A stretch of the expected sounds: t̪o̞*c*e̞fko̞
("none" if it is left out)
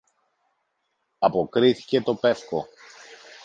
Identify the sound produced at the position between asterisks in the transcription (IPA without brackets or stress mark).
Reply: p